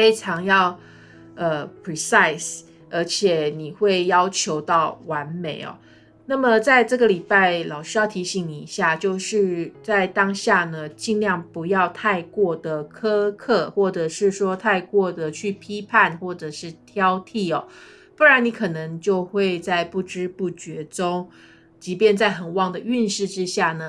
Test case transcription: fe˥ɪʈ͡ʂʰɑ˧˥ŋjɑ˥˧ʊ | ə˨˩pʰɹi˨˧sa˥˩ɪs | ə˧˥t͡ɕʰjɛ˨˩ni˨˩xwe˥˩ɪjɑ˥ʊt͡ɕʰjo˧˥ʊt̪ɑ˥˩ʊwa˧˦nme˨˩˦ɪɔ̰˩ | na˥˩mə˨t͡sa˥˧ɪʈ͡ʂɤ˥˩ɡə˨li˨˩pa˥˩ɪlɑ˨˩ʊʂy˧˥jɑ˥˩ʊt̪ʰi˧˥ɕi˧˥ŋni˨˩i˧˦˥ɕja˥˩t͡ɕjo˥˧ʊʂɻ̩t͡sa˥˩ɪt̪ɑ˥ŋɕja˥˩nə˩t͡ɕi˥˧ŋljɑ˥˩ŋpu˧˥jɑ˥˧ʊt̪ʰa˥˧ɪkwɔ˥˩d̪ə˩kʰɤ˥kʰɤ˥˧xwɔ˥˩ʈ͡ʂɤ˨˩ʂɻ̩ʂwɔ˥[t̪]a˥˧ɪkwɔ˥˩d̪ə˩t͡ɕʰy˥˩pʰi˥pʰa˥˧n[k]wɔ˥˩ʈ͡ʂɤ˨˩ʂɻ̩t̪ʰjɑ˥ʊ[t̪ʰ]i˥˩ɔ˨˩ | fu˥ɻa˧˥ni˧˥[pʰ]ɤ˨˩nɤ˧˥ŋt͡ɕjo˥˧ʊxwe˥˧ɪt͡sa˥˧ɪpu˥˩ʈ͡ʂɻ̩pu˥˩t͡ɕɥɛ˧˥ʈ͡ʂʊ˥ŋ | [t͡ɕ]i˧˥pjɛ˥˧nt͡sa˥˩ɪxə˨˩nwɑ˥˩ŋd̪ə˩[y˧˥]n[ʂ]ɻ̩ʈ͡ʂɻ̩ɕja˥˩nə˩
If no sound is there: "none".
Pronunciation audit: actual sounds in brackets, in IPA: t̪ʰ, x, t̪ʰ, kʰ, t͡ɕ, y˥˧, ʂ

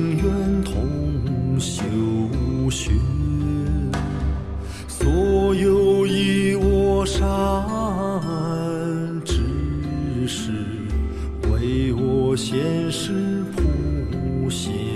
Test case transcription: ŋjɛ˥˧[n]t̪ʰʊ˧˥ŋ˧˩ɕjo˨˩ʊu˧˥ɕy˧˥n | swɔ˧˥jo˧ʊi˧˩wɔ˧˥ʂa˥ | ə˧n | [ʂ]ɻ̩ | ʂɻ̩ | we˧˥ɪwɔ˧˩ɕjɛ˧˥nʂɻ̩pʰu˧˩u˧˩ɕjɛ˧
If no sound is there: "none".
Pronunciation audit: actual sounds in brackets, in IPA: n, ʈ͡ʂ

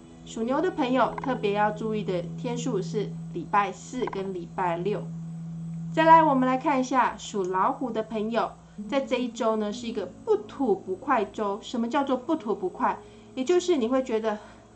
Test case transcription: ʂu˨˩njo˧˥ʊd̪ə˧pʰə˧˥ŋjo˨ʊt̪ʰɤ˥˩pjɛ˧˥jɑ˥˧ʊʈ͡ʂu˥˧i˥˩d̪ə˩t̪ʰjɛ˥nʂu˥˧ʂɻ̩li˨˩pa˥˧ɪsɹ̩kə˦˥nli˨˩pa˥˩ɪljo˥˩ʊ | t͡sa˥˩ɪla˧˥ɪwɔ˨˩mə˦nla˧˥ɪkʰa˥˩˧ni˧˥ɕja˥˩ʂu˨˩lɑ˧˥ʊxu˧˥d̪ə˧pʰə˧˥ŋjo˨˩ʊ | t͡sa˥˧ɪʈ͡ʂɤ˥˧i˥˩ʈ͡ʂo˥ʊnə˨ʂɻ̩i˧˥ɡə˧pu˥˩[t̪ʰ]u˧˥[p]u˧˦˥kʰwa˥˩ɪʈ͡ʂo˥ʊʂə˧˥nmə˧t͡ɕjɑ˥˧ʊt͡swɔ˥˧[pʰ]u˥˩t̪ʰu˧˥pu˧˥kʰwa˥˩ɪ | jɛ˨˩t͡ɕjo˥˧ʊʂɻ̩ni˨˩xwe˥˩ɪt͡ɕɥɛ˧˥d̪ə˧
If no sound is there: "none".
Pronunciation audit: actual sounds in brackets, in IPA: t̪ʰ, p, p

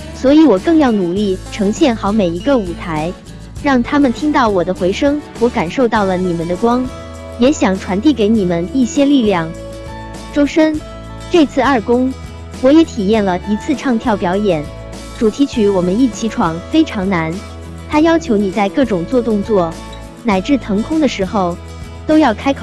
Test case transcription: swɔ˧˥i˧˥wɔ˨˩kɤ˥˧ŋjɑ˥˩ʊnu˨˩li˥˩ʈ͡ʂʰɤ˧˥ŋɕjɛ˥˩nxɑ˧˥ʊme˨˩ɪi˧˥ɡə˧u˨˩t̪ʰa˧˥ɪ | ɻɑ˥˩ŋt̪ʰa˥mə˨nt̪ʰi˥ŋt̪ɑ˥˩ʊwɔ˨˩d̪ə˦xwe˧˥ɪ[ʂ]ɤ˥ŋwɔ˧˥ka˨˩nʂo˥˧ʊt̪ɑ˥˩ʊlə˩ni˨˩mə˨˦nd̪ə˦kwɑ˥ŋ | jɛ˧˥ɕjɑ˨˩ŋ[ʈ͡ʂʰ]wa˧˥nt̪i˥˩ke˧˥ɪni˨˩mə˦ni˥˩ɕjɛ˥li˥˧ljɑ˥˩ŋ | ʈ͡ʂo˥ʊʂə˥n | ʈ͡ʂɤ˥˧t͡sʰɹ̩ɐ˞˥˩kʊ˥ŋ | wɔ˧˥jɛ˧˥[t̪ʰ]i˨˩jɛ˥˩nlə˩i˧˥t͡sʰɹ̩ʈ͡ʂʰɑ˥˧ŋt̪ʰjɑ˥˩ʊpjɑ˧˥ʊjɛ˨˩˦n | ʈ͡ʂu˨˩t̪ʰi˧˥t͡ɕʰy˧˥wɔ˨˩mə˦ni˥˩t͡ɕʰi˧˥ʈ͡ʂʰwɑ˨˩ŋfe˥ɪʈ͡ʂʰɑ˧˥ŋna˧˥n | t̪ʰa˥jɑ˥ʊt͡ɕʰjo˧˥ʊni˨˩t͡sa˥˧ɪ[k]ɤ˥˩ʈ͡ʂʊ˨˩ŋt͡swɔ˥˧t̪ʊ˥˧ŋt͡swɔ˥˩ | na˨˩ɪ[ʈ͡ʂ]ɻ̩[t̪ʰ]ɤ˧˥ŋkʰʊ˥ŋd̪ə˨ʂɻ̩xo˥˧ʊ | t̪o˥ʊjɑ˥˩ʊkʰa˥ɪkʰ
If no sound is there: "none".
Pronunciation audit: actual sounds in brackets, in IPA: ʂ, ʈ͡ʂʰ, t̪ʰ, k, ʈ͡ʂ, t̪ʰ

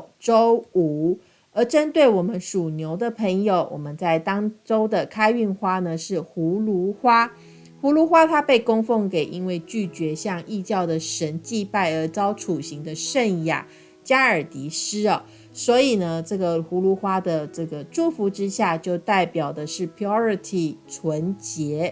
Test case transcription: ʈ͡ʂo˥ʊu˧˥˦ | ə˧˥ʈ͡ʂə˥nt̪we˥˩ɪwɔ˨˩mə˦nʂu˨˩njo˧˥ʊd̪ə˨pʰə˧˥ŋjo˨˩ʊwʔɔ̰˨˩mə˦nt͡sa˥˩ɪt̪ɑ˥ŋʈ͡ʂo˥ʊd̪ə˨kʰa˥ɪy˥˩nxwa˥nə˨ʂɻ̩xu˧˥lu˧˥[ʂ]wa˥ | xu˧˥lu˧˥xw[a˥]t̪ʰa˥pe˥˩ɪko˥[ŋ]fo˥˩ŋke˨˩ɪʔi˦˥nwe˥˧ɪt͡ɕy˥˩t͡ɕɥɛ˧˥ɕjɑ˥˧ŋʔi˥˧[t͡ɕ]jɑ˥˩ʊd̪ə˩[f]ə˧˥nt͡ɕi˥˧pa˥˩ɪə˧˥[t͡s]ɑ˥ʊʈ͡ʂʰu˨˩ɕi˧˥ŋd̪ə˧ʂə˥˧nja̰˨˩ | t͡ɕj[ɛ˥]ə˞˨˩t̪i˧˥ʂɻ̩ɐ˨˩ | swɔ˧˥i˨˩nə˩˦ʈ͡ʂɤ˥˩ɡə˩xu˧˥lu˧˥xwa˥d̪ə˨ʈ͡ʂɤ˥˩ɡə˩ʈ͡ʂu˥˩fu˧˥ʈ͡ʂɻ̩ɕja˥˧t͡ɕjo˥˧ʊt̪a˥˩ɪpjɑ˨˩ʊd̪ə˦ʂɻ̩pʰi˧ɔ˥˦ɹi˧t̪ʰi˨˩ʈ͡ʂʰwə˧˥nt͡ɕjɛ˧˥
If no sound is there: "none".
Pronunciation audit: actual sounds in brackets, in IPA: x, a˥, ŋ, t͡ɕ, ʂ, t͡s, a˥

